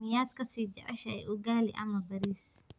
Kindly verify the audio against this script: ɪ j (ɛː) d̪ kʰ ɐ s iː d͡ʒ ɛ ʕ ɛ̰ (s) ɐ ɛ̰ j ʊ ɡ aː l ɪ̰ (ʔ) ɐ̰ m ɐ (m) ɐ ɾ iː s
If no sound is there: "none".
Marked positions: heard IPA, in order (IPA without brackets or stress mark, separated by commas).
aː, ʃ, ʔ, b